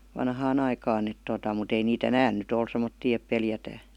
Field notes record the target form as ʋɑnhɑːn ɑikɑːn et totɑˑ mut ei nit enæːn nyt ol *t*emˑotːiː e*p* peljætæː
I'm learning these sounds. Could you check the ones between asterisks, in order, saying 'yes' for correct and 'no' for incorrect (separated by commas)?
no, yes